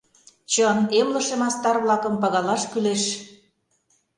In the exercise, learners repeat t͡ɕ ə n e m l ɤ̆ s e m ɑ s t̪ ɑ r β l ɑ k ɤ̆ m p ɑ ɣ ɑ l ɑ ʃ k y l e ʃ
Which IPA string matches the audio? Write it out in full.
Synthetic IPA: t͡ɕ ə n e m l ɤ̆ ʃ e m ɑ s t̪ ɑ r β l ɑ k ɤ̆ m p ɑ ɣ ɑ l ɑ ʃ k y l e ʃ